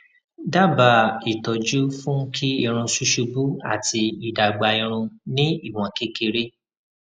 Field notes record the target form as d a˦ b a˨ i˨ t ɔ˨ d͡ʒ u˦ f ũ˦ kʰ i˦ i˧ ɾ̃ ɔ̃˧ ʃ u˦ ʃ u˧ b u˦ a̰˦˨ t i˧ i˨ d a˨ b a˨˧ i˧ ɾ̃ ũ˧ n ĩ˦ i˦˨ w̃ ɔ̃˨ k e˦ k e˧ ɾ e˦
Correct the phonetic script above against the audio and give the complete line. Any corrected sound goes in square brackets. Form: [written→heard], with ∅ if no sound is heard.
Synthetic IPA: d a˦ b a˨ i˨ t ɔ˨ d͡ʒ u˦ f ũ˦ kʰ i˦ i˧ ɾ̃ [ɔ̃˧→ũ˧] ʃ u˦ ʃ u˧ b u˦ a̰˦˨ t i˧ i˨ d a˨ [b→ɡ͡b] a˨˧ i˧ ɾ̃ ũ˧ n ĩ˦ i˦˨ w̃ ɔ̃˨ k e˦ k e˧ ɾ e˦